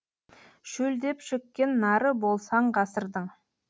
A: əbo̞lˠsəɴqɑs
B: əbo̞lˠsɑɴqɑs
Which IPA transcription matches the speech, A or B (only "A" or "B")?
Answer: B